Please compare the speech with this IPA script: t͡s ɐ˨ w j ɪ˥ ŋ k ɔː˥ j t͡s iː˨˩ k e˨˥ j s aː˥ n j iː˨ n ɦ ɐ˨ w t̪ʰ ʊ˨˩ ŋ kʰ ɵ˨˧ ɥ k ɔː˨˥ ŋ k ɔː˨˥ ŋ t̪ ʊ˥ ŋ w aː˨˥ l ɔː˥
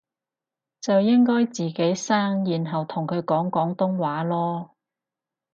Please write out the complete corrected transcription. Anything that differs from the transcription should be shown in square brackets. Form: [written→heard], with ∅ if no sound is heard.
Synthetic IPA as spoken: t͡s ɐ˨ w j ɪ˥ ŋ k ɔː˥ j t͡s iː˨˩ k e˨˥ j s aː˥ [n→ŋ] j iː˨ n ɦ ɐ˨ w t̪ʰ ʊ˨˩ ŋ kʰ ɵ˨˧ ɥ k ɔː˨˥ ŋ k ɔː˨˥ ŋ t̪ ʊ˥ ŋ w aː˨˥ l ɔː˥